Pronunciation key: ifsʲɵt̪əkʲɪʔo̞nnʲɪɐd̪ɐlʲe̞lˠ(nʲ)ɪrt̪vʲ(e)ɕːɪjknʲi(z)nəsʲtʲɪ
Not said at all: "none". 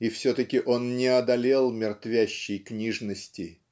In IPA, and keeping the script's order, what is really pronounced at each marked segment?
mʲ, æ, ʐ

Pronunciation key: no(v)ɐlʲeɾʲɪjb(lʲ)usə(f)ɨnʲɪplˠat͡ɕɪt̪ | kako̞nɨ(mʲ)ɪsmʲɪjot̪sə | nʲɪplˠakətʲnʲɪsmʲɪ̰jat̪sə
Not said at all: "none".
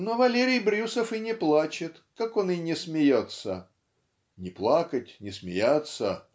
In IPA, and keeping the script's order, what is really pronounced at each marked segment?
v, ɾʲ, f, nʲ

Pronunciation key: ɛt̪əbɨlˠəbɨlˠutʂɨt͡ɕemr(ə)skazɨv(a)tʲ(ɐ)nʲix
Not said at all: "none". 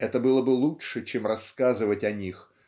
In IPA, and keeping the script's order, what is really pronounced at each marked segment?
ɐ, ə, ɐ

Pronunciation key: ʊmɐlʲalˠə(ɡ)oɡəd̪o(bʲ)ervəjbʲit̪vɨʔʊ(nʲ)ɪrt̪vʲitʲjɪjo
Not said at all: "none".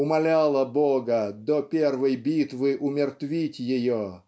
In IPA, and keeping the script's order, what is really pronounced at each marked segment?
b, pʲ, mʲ

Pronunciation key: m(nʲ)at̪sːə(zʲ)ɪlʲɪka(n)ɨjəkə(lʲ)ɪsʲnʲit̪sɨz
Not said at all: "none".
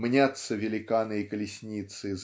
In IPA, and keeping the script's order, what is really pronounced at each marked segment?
nʲ, vʲ, n, lʲ

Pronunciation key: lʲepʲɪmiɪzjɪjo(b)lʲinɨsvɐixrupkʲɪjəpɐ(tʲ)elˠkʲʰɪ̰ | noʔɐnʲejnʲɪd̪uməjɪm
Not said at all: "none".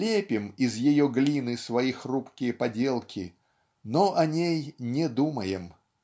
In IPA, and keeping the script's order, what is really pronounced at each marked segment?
ɡ, dʲ

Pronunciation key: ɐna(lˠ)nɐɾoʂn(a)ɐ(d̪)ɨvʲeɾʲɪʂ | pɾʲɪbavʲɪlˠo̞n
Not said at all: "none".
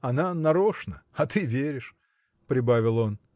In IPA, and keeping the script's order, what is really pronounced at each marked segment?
none, ə, t̪

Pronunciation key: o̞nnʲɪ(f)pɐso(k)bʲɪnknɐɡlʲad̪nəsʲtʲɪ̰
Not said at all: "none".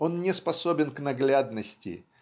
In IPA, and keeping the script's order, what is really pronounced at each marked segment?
s, none

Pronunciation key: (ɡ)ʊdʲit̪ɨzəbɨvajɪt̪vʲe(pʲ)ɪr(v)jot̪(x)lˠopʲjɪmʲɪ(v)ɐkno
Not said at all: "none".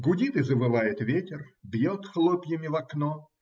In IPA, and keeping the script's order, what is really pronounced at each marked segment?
ɡ, tʲ, b, x, v

